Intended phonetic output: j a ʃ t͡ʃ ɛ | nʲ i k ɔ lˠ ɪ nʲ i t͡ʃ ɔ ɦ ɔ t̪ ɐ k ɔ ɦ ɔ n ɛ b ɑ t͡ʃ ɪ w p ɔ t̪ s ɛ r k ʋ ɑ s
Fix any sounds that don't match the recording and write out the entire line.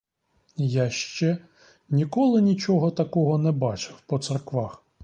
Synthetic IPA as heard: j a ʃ t͡ʃ ɛ | nʲ i k ɔ lˠ ɪ nʲ i t͡ʃ ɔ ɦ ɔ t̪ ɐ k ɔ ɦ ɔ n ɛ b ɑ t͡ʃ ɪ w p ɔ t̪ s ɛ r k ʋ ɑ x